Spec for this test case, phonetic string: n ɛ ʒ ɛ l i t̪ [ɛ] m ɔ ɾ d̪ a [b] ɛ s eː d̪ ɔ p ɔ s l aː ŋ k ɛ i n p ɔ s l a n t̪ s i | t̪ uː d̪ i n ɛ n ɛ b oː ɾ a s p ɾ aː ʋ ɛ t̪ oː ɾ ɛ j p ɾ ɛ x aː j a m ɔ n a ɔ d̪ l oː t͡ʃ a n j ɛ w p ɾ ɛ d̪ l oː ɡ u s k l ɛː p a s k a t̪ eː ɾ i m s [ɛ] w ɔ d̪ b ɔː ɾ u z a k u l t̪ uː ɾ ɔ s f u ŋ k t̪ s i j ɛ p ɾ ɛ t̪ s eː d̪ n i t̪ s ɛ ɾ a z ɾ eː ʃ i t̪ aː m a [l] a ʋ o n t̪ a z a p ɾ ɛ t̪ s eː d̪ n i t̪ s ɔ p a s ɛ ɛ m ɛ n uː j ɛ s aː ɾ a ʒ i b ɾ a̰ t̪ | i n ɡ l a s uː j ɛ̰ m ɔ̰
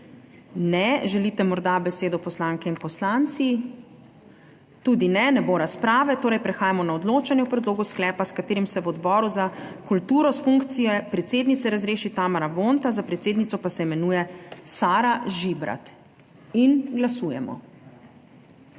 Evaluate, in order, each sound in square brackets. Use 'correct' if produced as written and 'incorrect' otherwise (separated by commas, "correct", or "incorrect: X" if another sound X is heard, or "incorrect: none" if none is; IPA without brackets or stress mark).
correct, correct, correct, incorrect: ɾ